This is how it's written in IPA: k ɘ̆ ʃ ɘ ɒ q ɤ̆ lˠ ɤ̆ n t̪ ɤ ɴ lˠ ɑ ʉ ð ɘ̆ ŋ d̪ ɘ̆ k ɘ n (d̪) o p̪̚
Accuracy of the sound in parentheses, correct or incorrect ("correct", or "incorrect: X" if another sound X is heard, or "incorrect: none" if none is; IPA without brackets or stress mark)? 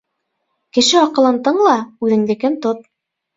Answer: incorrect: t̪